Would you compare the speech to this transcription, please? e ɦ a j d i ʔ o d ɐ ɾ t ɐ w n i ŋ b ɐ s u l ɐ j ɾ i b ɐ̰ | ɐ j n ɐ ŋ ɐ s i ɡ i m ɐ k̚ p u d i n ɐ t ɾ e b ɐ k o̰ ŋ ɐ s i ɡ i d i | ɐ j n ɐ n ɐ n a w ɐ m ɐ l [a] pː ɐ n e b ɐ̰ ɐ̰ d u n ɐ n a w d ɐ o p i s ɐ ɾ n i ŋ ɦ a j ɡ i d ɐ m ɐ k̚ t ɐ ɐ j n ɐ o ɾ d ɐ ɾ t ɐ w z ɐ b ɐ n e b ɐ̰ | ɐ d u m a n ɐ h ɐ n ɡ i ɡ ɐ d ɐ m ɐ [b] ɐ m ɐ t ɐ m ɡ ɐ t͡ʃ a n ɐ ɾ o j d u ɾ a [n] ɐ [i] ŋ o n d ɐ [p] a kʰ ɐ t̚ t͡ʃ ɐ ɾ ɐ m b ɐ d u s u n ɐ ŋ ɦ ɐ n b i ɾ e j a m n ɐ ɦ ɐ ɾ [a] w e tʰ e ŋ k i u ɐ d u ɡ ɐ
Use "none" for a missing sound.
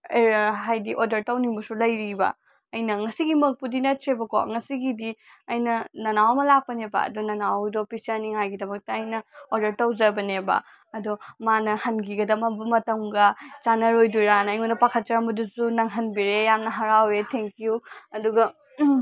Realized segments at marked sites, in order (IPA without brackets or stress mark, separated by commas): a, b, n, j, p, a